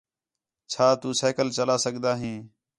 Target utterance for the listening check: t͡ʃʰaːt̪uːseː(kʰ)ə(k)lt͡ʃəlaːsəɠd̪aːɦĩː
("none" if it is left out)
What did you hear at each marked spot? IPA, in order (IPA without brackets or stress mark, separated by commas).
k, none